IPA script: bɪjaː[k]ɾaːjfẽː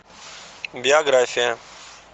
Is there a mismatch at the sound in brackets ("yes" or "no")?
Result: yes